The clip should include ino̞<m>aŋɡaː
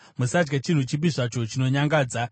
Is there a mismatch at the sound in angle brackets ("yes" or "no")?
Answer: yes